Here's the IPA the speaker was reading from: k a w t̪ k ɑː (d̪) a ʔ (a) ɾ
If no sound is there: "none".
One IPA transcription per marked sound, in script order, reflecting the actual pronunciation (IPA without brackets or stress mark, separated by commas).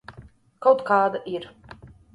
d̪, i